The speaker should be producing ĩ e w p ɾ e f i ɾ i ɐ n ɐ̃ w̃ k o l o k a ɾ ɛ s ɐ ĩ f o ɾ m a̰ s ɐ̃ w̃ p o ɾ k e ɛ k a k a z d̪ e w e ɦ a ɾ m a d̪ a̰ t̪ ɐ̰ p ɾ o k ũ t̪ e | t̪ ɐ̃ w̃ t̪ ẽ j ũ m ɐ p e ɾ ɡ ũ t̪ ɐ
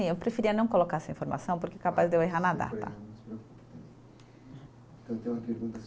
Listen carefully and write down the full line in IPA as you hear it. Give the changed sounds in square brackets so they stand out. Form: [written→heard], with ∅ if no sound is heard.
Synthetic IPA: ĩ e w p ɾ e f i ɾ i ɐ n ɐ̃ w̃ k o l o k a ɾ ɛ s ɐ ĩ f o ɾ m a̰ s ɐ̃ w̃ p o ɾ k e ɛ k a [k→p] a z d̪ e w e ɦ a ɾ [m→n] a d̪ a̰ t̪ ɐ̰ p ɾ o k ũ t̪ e | t̪ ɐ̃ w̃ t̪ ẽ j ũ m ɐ p e ɾ ɡ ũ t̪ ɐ